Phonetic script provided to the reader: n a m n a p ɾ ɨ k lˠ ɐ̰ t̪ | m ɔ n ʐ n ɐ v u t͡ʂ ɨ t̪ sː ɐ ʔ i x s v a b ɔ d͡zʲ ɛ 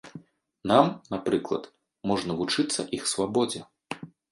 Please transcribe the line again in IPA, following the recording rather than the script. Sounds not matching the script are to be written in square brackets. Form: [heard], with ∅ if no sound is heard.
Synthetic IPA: n a m n a p ɾ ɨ k lˠ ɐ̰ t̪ | m ɔ [∅] ʐ n ɐ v u t͡ʂ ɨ t̪ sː ɐ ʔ i x s v a b ɔ d͡zʲ ɛ